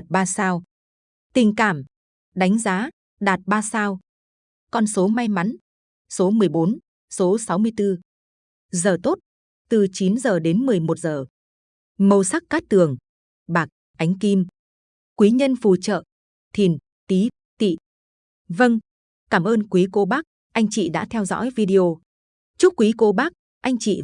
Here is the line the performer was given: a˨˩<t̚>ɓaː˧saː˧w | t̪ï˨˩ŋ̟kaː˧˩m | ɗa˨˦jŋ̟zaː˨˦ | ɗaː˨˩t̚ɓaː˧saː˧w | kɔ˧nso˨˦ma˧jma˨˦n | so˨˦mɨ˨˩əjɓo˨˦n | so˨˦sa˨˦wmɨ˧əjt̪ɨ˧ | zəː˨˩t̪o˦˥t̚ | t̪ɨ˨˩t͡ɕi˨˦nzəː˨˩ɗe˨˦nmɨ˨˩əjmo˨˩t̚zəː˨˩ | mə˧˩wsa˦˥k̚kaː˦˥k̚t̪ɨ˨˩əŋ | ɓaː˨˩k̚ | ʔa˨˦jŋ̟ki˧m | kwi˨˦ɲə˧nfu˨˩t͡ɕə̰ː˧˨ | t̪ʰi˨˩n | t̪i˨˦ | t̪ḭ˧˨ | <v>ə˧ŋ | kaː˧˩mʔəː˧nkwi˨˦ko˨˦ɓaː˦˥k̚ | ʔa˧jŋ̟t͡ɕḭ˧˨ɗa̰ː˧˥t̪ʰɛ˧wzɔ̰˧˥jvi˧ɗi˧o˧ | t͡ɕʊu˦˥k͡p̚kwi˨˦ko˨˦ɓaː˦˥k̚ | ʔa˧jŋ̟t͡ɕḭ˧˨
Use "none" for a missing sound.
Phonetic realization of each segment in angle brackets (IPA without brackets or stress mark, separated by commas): t̚, v